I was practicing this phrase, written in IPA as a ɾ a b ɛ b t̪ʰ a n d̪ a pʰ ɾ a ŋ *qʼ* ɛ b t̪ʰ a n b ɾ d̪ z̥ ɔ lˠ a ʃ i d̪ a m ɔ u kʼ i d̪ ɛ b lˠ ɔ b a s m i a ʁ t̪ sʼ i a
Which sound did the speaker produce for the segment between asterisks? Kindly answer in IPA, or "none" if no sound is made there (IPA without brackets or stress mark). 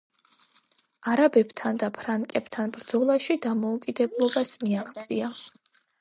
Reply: kʼ